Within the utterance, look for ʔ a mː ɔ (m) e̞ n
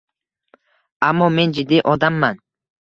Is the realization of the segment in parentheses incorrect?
no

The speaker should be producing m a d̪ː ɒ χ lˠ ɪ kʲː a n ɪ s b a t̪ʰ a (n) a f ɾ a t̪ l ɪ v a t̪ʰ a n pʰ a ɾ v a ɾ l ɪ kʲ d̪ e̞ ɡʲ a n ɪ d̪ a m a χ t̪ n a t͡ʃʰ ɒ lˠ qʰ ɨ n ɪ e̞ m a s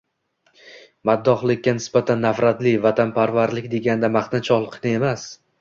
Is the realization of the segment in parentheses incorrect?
yes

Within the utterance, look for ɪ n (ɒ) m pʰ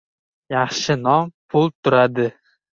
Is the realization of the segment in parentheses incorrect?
no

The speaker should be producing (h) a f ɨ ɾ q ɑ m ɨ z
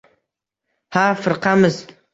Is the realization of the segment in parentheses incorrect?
no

